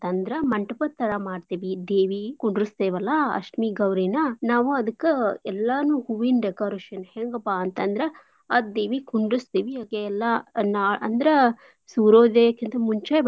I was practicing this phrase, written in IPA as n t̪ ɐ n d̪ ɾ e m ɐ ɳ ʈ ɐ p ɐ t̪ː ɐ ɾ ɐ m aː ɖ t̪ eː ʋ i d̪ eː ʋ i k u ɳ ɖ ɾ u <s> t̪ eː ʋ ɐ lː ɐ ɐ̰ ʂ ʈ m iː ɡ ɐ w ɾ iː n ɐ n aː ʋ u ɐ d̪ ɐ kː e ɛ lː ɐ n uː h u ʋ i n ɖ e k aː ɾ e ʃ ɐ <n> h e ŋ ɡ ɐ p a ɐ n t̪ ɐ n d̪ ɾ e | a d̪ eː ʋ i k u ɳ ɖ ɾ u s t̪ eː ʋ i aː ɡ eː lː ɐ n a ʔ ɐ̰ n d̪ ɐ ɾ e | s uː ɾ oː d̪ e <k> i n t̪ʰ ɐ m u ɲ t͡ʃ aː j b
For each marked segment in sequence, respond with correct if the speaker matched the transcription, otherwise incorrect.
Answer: correct, correct, correct

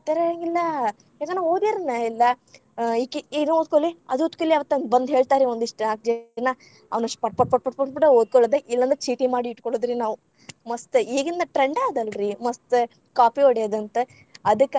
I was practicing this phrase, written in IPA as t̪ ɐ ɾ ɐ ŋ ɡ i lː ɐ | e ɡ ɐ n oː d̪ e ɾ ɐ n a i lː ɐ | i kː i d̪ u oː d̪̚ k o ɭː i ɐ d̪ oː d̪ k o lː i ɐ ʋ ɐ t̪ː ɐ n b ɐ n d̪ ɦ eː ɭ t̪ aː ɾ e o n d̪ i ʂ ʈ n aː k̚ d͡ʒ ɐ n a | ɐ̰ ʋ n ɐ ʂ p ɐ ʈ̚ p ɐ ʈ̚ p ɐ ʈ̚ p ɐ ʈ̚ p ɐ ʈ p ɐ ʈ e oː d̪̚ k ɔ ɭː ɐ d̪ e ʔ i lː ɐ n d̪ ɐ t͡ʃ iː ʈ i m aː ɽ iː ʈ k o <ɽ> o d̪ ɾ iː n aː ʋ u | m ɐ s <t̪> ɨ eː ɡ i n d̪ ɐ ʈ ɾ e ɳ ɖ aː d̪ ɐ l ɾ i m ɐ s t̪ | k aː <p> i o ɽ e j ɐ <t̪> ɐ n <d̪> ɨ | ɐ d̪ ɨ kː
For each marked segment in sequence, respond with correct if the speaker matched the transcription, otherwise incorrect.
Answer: incorrect: ɭ, correct, correct, incorrect: d̪, incorrect: t̪

